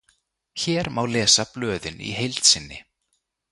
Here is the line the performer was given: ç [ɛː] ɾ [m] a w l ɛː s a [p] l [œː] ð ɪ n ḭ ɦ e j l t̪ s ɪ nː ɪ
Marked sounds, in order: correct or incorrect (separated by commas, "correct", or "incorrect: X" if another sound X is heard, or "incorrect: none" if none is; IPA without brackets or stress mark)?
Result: correct, correct, correct, correct